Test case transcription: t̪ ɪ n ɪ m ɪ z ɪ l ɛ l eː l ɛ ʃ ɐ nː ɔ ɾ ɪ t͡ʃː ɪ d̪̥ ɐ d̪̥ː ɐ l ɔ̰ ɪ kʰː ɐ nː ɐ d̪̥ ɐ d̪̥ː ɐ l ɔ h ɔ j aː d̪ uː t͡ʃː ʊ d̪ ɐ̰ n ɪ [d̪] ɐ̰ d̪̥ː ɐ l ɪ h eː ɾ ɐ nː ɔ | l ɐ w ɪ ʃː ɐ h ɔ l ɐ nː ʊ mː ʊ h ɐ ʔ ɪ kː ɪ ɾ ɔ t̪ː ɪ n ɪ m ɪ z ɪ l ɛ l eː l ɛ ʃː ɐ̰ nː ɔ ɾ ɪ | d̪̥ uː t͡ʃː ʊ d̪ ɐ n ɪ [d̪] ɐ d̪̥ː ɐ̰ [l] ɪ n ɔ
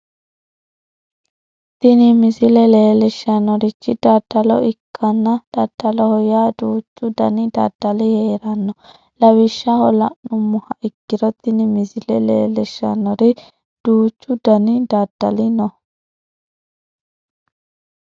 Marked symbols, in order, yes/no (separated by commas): yes, yes, yes